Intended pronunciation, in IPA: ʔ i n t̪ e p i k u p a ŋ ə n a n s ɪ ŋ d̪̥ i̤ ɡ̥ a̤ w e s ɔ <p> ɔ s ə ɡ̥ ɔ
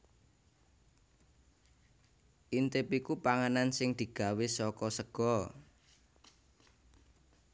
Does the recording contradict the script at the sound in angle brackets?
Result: yes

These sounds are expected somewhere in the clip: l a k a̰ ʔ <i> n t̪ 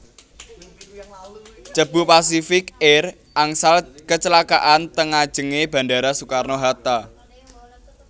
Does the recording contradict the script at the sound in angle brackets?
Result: yes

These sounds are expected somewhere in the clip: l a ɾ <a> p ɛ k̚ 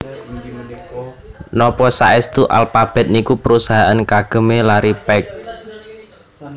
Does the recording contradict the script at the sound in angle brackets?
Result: yes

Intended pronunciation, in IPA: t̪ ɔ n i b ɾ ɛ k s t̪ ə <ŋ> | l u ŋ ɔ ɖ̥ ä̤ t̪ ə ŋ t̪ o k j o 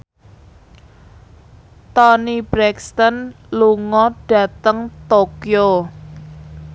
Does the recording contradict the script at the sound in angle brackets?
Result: yes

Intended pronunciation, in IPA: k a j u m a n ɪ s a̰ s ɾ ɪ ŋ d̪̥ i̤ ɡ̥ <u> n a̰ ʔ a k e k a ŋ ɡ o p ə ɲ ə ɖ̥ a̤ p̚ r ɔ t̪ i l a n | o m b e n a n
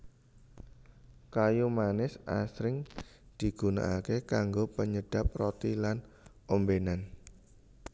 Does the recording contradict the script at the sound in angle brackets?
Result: no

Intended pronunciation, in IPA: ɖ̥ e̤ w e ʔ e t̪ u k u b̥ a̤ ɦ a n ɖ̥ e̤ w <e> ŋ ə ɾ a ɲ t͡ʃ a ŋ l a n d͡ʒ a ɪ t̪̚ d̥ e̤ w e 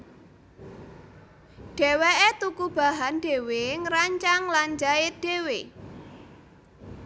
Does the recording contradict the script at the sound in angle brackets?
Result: no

